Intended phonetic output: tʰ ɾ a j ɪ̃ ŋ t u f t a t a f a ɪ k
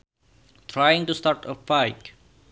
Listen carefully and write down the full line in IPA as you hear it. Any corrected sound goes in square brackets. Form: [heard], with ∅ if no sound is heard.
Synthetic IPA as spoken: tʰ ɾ a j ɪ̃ ŋ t u [s] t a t [ə] f a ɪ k